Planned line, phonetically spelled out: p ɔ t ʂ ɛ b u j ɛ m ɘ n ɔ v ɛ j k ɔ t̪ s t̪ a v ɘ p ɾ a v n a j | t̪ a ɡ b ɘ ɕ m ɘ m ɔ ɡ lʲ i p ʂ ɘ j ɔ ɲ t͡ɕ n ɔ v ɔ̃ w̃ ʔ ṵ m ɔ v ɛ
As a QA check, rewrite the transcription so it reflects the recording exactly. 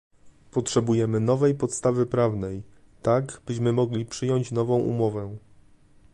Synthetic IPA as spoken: p ɔ t ʂ ɛ b u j ɛ m ɘ n ɔ v ɛ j p ɔ t̪ s t̪ a v ɘ p ɾ a v n ɛ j | t̪ a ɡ b ɘ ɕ m ɘ m ɔ ɡ lʲ i p ʂ ɘ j ɔ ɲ t͡ɕ n ɔ v ɔ̃ w̃ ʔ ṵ m ɔ v ɛ